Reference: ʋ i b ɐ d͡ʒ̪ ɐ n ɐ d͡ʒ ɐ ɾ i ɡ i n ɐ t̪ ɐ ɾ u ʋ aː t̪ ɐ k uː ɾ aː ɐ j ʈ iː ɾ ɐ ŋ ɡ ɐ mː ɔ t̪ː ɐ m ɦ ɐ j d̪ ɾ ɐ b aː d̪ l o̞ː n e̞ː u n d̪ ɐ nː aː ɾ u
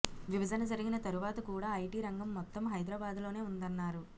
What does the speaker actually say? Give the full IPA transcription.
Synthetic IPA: ʋ i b ɐ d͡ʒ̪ ɐ n ɐ d͡ʒ ɐ ɾ i ɡ i n ɐ t̪ ɐ ɾ u ʋ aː t̪ ɐ k uː ɽ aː ɐ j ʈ iː ɾ ɐ ŋ ɡ ɐ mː ɔ t̪ː ɐ m ɦ ɐ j d̪ ɾ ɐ b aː d̪ l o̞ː n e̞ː u n d̪ ɐ nː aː ɾ u